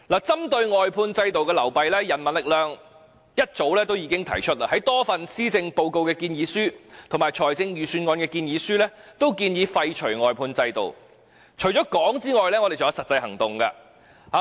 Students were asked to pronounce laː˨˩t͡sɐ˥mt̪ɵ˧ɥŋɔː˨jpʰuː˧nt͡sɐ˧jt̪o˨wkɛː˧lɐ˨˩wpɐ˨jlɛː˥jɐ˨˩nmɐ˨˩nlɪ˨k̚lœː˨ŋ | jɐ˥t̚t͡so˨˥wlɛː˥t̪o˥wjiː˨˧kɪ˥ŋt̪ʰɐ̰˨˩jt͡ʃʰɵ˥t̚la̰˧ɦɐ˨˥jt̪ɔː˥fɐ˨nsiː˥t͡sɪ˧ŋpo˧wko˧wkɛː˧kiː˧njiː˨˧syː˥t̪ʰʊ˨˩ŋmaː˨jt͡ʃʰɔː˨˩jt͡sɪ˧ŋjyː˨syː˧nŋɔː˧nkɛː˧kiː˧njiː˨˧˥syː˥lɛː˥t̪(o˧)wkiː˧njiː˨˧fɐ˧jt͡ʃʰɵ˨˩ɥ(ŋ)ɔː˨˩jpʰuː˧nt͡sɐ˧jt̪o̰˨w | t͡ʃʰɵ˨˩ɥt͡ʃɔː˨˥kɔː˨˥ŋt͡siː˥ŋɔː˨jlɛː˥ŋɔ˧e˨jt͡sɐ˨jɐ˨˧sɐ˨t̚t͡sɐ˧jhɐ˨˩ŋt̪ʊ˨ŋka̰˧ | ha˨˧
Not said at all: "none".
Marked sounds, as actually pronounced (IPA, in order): o˥, ŋ

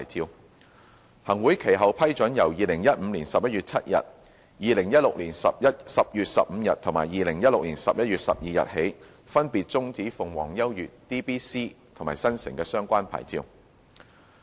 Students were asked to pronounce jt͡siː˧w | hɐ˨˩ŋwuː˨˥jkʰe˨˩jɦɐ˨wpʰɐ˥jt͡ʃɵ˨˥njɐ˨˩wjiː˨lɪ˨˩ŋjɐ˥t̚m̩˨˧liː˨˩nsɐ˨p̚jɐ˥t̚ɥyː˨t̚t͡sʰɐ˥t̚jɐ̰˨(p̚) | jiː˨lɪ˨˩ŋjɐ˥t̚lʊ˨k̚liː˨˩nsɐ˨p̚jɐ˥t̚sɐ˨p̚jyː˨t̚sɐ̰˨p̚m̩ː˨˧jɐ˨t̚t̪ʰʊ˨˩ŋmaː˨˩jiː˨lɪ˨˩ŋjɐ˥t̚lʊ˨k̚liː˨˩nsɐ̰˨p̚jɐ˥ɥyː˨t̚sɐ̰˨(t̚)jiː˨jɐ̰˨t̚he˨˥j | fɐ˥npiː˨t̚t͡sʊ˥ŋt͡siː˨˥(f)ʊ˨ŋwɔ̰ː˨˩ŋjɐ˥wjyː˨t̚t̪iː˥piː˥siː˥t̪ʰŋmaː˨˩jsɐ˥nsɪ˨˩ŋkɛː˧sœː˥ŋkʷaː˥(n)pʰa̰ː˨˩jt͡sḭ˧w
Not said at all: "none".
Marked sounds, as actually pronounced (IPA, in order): t̚, p̚, f, n

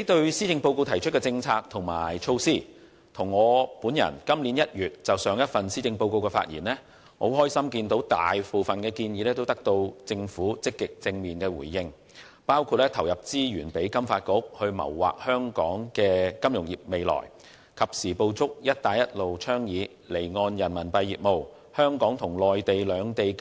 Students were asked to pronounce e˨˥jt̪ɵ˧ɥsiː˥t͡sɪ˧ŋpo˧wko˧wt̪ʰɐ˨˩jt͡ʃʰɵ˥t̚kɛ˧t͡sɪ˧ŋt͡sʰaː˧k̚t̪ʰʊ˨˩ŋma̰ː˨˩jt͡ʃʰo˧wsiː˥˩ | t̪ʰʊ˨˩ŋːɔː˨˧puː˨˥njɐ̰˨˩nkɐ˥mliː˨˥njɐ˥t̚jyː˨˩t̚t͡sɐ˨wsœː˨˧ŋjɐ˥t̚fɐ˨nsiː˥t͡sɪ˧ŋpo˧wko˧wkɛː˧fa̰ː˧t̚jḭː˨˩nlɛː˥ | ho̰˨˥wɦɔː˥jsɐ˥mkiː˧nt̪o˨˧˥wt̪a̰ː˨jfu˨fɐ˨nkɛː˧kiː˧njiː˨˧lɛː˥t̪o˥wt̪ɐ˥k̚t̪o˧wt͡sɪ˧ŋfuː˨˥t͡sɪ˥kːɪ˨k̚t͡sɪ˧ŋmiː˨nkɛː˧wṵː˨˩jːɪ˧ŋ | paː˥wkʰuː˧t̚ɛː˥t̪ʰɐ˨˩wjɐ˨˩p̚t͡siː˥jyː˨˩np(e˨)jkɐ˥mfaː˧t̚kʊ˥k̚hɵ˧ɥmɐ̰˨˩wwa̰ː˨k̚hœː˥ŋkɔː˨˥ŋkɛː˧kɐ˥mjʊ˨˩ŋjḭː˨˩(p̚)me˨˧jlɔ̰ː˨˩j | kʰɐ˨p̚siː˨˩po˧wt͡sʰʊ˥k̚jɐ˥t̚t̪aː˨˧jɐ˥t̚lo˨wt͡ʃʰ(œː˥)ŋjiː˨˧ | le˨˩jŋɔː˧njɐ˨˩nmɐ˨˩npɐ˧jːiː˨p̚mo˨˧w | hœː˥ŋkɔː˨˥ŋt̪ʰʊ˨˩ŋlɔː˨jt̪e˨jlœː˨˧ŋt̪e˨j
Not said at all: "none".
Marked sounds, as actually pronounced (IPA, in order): e˨˥, p̚, œː˥

